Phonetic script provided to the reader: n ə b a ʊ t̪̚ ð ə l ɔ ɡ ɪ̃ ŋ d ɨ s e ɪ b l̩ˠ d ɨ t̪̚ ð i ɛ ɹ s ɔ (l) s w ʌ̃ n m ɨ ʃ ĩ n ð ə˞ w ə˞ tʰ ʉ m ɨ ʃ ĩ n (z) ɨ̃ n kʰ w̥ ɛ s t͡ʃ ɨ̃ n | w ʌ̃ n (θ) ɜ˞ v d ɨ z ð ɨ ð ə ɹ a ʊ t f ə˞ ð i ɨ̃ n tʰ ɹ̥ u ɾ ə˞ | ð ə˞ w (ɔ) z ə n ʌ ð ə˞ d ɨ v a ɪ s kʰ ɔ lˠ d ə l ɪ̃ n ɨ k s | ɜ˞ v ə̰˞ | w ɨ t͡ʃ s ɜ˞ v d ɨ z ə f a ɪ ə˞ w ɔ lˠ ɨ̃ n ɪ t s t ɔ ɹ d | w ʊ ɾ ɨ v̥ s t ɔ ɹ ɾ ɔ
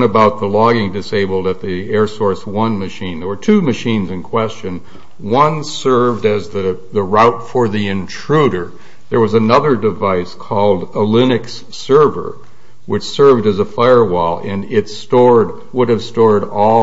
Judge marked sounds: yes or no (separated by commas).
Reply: no, yes, no, no